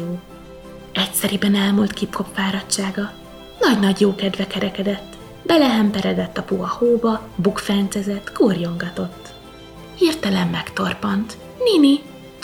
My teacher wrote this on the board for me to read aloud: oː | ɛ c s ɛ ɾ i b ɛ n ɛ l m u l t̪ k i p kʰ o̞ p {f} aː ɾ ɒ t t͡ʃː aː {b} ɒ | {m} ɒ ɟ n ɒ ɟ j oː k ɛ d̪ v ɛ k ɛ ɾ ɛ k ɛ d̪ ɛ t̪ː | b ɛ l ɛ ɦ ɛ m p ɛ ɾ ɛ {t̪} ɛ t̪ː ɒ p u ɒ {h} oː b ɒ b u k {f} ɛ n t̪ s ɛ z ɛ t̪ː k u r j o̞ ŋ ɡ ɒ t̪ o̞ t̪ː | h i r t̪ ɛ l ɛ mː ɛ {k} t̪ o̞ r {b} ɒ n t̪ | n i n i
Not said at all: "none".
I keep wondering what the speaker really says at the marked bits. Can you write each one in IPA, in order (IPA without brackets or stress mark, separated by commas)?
f, ɡ, n, d̪, h, f, k, p